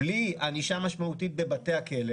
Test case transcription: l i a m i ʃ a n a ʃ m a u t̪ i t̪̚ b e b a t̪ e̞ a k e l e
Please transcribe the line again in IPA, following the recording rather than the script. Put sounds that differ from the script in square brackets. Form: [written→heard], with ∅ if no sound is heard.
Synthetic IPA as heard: l i a [m→n] i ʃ a [n→m] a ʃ m a u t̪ i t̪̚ b e b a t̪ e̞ a k e l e